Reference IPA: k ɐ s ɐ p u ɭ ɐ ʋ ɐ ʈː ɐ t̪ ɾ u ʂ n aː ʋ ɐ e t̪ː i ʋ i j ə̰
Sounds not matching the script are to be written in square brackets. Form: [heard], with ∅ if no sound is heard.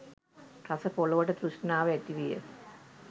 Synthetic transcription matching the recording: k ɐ s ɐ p [o] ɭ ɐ ʋ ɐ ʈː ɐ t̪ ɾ u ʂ n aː ʋ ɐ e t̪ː i ʋ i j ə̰